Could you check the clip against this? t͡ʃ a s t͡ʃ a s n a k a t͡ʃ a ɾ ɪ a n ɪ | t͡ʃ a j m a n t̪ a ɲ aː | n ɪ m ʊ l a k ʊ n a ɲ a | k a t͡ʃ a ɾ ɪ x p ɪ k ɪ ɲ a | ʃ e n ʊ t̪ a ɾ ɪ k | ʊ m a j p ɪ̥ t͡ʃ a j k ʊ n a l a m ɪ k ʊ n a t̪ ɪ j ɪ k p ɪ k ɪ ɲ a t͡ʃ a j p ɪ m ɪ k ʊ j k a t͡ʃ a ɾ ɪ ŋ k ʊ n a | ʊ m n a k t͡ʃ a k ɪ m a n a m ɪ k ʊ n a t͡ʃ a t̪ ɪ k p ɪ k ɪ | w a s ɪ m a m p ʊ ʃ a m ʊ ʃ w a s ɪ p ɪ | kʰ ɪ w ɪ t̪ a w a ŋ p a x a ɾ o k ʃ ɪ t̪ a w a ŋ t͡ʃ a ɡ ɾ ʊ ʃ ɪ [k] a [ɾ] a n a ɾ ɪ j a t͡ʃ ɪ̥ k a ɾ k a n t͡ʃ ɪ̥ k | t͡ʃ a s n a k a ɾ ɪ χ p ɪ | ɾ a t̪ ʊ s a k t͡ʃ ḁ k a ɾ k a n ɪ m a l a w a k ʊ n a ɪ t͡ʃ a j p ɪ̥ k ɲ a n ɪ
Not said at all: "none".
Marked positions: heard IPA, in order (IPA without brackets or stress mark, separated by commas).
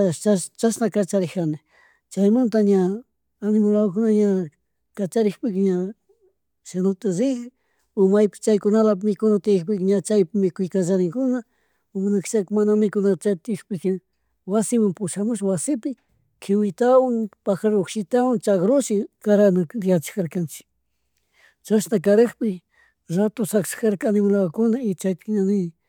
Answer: k, ɾ